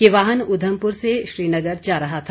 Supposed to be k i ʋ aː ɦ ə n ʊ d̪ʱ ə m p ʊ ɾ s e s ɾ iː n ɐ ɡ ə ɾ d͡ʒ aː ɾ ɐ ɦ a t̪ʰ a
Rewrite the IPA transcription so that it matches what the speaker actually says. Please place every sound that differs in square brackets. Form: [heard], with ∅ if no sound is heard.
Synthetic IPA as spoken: k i ʋ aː ɦ ə n ʊ d̪ʱ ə m p ʊ ɾ s e [ʃ] ɾ iː n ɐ ɡ ə ɾ d͡ʒ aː ɾ ɐ ɦ a t̪ʰ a